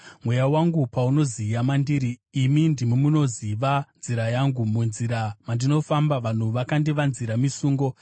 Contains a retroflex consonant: no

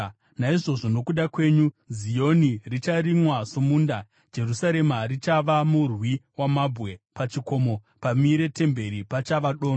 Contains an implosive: yes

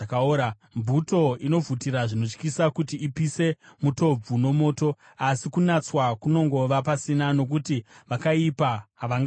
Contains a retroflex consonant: yes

